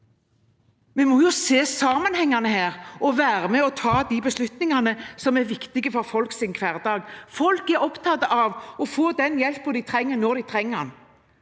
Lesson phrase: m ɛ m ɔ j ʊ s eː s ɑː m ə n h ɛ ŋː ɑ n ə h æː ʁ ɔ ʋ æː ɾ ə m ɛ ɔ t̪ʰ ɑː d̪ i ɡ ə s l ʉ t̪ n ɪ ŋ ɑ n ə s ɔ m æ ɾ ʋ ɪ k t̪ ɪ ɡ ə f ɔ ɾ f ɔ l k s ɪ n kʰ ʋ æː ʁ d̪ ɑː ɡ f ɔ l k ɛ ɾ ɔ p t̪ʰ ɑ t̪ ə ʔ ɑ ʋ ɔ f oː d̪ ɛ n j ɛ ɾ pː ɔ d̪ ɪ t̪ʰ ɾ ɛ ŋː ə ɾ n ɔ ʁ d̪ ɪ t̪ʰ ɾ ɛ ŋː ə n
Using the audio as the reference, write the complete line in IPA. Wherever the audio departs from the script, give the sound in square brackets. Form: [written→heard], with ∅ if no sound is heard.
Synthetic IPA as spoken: m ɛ m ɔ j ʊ s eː s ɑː m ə n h ɛ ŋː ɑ n ə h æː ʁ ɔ ʋ æː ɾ ə m ɛ ɔ t̪ʰ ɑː d̪ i [ɡ→b] ə s l ʉ t̪ n ɪ ŋ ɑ n ə s ɔ m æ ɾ ʋ ɪ k t̪ ɪ ɡ ə f ɔ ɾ f ɔ l k s ɪ n kʰ ʋ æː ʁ d̪ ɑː ɡ f ɔ l k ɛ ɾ ɔ p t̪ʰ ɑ t̪ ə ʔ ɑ ʋ ɔ f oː d̪ ɛ n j ɛ [ɾ→l] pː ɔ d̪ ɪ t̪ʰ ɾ ɛ ŋː ə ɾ n ɔ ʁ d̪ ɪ t̪ʰ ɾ ɛ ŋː ə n

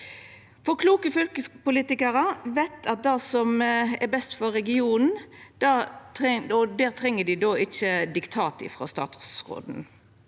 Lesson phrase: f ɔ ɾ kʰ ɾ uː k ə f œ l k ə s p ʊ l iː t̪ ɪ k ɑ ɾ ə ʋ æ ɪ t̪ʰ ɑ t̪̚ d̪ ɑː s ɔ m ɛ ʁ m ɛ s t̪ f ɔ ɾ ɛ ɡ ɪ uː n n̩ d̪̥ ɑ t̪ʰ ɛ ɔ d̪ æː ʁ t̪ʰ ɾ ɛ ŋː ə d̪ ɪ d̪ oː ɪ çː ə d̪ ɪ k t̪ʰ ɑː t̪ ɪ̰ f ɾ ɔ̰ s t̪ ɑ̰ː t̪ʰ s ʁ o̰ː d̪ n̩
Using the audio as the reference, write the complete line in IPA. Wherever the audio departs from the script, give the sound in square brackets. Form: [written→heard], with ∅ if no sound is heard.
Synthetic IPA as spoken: f ɔ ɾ kʰ [ɾ→l] uː k ə f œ l k ə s p ʊ l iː t̪ ɪ k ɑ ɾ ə ʋ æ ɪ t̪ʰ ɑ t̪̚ d̪ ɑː s ɔ m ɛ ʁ [m→b] ɛ s t̪ f ɔ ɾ ɛ ɡ ɪ uː n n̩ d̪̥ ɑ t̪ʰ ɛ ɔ d̪ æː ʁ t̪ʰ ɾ ɛ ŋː ə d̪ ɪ d̪ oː ɪ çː ə d̪ ɪ k t̪ʰ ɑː t̪ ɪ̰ f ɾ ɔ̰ s t̪ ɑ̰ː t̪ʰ s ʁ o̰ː d̪ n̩

